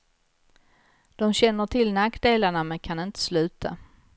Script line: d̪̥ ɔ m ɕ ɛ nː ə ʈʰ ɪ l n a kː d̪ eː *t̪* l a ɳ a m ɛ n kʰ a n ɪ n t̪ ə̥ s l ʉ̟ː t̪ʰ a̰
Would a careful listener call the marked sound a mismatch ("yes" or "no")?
yes